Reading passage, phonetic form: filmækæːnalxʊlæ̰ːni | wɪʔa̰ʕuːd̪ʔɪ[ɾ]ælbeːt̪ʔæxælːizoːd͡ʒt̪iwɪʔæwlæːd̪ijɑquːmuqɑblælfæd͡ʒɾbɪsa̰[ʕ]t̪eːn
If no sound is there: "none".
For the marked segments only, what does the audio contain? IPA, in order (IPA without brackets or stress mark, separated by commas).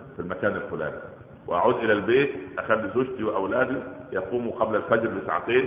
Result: l, ʕ